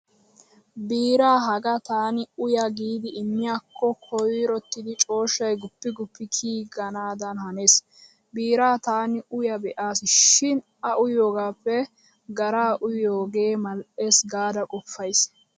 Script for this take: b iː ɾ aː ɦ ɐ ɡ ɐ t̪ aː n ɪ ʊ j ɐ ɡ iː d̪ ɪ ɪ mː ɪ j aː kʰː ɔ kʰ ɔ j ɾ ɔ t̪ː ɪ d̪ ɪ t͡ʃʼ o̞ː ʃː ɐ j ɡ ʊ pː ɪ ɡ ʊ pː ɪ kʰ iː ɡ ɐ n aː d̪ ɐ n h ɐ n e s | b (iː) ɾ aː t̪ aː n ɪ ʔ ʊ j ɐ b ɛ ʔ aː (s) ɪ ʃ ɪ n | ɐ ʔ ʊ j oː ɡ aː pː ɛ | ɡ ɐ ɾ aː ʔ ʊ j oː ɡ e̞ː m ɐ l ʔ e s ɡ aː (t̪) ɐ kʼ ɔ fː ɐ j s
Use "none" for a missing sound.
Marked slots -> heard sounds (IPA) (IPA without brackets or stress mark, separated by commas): iː, s, d̪